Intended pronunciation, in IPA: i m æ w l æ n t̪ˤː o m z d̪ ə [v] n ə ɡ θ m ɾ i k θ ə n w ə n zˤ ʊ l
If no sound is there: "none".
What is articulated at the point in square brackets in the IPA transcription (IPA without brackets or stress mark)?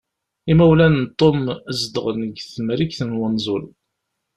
ʁ